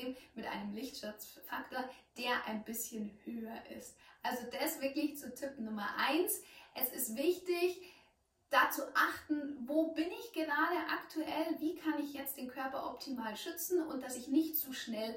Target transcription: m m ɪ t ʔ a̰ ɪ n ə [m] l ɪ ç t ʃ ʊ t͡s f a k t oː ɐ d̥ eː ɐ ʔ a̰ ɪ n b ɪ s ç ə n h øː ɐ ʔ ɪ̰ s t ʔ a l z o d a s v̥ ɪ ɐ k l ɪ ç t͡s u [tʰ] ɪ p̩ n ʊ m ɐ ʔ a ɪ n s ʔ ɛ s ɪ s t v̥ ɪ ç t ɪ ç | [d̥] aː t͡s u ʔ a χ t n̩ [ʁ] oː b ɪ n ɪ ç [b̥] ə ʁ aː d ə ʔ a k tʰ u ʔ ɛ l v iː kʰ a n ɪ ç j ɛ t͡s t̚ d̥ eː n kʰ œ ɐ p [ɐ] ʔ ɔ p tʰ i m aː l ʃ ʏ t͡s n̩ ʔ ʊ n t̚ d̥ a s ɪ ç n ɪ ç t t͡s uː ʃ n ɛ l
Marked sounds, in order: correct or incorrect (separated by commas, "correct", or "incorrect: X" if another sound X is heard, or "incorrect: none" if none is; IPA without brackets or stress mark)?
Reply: correct, correct, correct, incorrect: v, incorrect: ɡ̥, correct